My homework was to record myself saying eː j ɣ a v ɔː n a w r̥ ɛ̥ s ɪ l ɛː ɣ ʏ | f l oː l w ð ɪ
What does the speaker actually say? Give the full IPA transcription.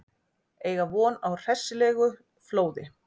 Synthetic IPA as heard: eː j ɣ a v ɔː n a w r̥ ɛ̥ s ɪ l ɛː ɣ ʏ | f l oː w ð ɪ